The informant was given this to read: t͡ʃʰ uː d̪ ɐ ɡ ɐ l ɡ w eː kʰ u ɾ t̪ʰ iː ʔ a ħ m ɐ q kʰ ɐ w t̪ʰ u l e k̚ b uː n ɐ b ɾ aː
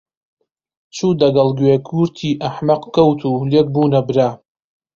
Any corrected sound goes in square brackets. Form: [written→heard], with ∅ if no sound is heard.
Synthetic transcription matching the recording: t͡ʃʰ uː d̪ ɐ ɡ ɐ l ɡ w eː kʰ u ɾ t̪ʰ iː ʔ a ħ m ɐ q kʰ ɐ w t̪ʰ u l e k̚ b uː n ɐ b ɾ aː